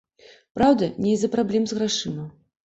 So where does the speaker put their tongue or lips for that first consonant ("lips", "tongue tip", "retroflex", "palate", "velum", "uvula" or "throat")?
lips